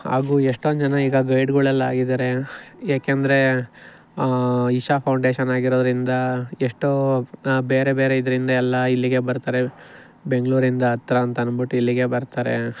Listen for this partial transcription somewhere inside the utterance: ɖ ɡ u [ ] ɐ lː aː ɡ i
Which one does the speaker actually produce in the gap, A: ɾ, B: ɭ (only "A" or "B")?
B